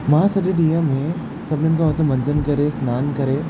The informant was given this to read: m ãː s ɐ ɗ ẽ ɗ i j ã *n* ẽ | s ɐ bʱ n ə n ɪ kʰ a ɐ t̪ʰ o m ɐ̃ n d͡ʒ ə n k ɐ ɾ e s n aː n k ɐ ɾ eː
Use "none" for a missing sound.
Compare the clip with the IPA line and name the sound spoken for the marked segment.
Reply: m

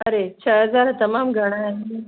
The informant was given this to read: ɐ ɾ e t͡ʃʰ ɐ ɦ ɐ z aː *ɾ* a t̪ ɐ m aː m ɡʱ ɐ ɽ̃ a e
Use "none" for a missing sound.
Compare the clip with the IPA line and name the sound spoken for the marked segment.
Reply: ɾ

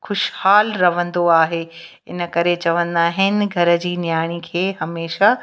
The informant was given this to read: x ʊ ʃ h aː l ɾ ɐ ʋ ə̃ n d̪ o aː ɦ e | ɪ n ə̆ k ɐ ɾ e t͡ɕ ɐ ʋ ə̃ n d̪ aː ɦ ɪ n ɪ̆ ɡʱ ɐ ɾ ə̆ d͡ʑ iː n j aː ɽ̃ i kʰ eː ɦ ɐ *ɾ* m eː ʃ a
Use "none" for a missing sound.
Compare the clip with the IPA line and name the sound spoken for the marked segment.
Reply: none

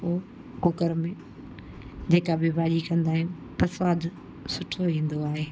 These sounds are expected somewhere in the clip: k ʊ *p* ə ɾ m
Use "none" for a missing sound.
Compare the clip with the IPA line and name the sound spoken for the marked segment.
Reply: k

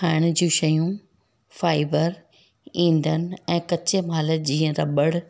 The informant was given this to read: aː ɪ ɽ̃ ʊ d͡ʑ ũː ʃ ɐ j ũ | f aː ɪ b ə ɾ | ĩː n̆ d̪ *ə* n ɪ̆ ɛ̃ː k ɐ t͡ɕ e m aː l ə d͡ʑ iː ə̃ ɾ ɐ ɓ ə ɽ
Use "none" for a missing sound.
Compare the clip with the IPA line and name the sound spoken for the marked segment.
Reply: ə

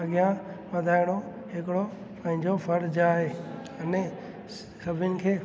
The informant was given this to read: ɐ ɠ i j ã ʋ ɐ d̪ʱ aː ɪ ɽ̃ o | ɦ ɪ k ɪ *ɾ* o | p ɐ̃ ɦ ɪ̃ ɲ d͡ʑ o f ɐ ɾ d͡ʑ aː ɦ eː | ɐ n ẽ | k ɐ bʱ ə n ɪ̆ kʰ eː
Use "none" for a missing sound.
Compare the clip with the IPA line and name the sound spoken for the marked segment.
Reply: ɽ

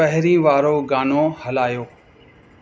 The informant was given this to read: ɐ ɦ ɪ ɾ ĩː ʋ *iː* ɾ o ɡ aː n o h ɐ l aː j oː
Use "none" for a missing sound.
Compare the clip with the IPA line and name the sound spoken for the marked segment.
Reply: aː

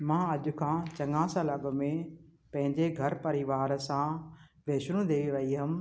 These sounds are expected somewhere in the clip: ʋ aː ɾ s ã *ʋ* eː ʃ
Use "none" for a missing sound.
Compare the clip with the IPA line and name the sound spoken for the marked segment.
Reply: ʋ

